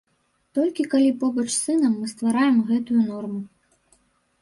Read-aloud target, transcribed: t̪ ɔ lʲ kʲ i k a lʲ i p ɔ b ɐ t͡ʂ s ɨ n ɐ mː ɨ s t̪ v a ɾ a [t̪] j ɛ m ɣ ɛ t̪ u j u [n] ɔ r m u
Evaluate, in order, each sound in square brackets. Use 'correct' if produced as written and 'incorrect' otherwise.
incorrect: none, correct

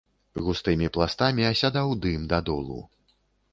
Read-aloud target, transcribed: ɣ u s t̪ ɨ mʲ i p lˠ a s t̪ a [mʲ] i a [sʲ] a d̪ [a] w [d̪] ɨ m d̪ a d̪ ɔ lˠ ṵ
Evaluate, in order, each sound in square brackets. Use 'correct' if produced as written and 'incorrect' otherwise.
correct, correct, correct, correct

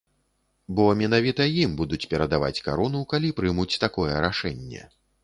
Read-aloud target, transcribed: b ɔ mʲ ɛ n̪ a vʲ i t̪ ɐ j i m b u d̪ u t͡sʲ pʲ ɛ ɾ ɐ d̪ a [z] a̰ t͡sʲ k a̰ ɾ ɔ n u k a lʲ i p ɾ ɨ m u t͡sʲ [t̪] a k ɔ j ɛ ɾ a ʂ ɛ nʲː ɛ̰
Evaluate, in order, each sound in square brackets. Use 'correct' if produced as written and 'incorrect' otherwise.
incorrect: v, correct

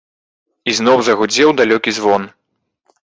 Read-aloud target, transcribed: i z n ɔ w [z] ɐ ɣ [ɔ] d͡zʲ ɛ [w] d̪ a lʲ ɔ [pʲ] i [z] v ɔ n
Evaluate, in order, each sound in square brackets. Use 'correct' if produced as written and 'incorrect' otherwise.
correct, incorrect: u, correct, incorrect: kʲ, correct

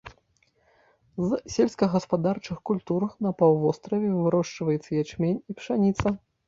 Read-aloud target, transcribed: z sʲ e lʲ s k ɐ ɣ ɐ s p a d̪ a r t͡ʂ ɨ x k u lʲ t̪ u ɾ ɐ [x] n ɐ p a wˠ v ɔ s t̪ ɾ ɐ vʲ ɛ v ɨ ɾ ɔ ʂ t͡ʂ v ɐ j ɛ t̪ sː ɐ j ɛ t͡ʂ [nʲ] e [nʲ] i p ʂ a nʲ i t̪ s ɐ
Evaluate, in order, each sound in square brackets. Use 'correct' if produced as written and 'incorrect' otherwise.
correct, incorrect: mʲ, correct

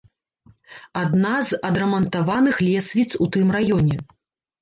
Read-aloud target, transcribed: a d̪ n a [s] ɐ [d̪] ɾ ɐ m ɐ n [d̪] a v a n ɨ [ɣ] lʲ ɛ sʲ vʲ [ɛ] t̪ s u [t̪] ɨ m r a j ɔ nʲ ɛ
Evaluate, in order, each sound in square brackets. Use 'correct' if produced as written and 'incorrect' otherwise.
incorrect: z, correct, incorrect: t̪, incorrect: x, incorrect: i, correct

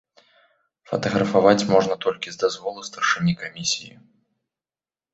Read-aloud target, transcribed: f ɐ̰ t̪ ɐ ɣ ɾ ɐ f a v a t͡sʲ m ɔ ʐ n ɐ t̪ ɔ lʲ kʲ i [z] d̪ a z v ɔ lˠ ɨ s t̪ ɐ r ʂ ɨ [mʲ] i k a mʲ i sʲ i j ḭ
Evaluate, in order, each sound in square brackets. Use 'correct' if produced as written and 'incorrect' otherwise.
correct, incorrect: nʲ

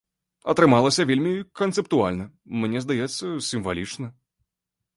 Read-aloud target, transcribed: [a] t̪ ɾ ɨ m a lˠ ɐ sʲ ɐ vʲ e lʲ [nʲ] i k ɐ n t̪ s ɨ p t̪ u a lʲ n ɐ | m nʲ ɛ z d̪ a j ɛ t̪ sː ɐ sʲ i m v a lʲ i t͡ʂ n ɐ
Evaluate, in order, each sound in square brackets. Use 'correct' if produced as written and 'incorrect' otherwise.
incorrect: ɐ, incorrect: mʲ

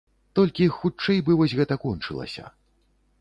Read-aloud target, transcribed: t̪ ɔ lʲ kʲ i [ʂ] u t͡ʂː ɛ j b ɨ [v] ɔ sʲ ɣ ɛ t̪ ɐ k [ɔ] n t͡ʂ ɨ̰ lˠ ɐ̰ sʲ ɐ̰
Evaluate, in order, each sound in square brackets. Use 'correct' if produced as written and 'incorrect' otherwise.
incorrect: x, correct, correct

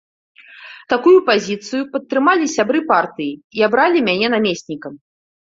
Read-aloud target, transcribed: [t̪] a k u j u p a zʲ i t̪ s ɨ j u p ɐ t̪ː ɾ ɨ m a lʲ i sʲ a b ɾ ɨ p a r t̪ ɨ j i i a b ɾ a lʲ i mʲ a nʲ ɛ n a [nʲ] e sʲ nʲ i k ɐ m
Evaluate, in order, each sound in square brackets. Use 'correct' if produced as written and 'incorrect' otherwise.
correct, incorrect: mʲ

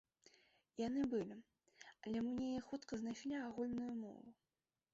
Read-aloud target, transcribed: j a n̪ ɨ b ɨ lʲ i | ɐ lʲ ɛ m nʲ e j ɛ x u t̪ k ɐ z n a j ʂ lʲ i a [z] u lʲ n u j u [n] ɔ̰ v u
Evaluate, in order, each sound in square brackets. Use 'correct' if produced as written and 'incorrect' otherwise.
incorrect: ɣ, incorrect: m

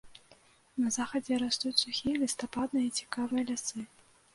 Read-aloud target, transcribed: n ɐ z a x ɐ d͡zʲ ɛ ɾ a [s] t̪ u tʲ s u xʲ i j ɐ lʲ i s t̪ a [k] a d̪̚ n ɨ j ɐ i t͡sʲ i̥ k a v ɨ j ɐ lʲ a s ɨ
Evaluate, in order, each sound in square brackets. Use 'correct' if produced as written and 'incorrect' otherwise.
correct, incorrect: p

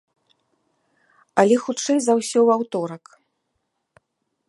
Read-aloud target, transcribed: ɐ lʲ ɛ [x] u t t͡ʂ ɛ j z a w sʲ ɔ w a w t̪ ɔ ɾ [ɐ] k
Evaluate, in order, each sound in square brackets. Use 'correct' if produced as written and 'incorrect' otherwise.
correct, correct

